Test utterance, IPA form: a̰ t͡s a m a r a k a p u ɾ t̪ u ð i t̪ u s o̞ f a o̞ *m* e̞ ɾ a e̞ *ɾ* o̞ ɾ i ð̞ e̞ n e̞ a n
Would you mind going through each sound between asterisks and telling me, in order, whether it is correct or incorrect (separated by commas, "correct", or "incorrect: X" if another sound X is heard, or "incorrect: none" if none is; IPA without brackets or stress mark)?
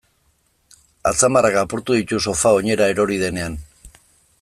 incorrect: ɲ, correct